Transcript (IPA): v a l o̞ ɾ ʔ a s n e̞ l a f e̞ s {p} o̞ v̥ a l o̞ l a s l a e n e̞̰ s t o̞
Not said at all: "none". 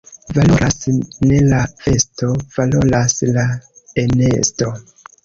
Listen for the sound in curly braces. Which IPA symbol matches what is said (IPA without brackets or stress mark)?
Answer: t